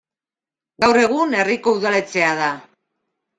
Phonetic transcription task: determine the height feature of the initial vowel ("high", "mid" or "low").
low